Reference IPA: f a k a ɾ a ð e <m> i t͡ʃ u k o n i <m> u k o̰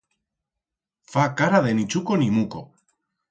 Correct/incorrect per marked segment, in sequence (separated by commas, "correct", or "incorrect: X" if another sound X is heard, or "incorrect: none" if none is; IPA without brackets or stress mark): incorrect: n, correct